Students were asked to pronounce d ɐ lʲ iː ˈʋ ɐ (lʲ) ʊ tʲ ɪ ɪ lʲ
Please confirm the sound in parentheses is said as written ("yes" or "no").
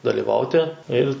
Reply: no